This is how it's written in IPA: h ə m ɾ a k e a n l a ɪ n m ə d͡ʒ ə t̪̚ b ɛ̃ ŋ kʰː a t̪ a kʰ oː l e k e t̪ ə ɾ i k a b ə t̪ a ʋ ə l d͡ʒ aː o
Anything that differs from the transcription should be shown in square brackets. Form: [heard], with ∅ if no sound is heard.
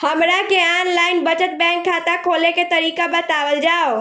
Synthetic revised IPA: h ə m ɾ a k e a n l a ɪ n [b] ə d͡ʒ ə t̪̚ b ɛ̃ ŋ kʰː a t̪ a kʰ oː l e k e t̪ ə ɾ i k a b ə t̪ a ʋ ə l d͡ʒ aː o